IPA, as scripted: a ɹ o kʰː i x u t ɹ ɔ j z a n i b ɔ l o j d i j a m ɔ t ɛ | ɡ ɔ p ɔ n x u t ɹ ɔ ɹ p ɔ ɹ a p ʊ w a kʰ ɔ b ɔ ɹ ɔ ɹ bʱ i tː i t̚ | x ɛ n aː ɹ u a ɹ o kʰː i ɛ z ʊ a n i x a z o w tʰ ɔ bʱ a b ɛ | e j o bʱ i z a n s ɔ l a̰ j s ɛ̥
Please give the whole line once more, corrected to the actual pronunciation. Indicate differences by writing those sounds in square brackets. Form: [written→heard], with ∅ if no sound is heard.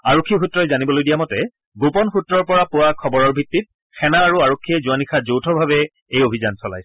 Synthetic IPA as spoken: a ɹ o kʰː i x u t ɹ ɔ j z a n i b ɔ l o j d i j a m ɔ t ɛ | ɡ [ɔ→o] p ɔ n x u t ɹ ɔ ɹ p ɔ ɹ a p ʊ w a kʰ ɔ b ɔ ɹ ɔ ɹ bʱ i tː i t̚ | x ɛ n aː ɹ u a ɹ o kʰː i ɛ z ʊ a n i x a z o w tʰ ɔ bʱ a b ɛ | e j o bʱ i z a n s ɔ l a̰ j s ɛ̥